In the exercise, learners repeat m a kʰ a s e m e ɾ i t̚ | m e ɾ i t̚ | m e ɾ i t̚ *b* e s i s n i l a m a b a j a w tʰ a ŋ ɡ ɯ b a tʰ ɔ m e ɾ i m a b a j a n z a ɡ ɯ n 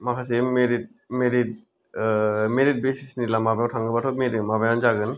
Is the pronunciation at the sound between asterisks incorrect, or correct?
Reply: correct